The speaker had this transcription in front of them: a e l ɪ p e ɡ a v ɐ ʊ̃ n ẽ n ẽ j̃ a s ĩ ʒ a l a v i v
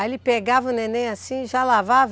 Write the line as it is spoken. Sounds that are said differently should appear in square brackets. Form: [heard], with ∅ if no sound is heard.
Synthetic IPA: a e l ɪ p e ɡ a v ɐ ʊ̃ n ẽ n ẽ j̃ a s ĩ ʒ a l a v [a] v